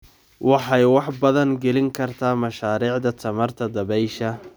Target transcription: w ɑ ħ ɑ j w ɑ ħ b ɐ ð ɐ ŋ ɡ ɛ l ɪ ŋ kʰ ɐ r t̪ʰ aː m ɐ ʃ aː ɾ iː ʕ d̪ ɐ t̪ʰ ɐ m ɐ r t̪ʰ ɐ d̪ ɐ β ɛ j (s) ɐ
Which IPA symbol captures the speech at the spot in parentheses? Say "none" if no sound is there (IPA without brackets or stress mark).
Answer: ʃ